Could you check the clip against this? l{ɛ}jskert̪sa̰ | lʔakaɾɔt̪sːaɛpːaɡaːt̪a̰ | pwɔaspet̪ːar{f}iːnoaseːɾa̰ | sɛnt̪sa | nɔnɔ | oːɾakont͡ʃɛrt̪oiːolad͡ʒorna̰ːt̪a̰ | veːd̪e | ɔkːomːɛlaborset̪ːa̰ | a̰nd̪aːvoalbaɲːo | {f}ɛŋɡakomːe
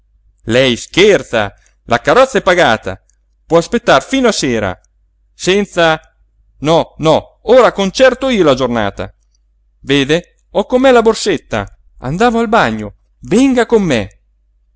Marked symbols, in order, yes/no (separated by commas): yes, yes, no